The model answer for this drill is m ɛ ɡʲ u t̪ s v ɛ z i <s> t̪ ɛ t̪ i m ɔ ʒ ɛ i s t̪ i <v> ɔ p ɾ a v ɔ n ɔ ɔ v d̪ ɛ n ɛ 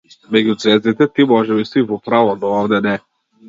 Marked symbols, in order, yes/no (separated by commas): no, yes